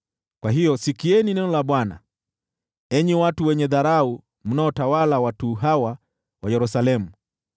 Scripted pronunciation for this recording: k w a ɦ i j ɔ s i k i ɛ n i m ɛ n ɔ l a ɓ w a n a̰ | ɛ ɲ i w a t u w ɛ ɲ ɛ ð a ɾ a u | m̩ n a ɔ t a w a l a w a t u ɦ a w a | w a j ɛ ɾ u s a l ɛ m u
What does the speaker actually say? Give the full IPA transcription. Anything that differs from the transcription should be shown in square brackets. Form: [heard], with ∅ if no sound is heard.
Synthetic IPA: k w a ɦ i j ɔ s i k i ɛ n i [n] ɛ n ɔ l a ɓ w a n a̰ | ɛ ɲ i w a t u w ɛ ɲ ɛ ð a ɾ a u | m̩ n a ɔ t a w a l a w a t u ɦ a w a | w a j ɛ ɾ u s a l ɛ m u